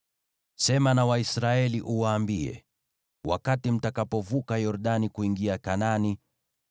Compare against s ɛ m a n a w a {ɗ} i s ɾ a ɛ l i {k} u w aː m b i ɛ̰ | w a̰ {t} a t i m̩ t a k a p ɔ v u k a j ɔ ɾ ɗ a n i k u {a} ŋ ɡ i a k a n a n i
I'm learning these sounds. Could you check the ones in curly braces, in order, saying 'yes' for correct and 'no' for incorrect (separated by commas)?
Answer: no, no, no, no